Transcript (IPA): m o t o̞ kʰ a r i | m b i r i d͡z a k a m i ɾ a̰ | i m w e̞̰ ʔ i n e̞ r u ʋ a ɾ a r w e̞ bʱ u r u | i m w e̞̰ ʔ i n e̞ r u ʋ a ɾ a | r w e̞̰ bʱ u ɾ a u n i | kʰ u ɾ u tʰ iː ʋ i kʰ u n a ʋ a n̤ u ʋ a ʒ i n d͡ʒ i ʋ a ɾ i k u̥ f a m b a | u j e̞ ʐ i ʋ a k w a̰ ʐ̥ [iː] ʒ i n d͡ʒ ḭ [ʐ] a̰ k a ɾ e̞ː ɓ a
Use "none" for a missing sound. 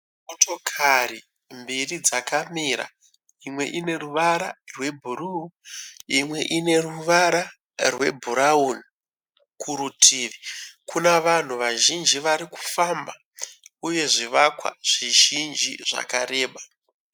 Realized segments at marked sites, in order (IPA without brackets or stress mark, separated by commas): i, ʐ